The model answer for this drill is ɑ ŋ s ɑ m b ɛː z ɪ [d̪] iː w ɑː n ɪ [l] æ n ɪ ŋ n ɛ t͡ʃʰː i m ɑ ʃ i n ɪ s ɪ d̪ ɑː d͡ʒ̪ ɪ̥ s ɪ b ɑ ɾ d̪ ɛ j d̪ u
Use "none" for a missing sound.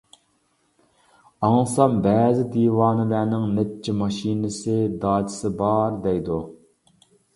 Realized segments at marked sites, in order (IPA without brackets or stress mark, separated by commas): d̪, l